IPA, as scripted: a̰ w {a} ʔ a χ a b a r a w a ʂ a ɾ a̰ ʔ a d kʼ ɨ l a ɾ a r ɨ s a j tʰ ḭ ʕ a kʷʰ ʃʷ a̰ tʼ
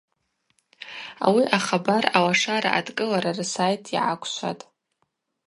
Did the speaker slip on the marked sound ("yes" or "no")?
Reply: yes